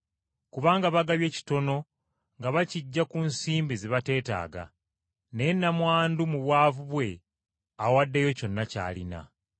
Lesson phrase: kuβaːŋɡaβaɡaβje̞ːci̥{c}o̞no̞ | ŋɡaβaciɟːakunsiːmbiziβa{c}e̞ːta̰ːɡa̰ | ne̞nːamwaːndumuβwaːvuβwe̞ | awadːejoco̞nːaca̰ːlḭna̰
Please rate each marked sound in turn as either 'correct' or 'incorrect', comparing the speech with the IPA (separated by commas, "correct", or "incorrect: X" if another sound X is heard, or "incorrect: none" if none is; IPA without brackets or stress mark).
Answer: incorrect: t, incorrect: t